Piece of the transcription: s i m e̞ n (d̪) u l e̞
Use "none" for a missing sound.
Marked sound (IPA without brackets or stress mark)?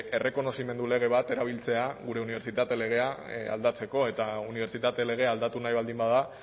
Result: d̪